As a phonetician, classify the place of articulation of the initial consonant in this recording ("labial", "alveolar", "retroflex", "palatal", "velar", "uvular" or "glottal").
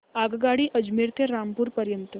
velar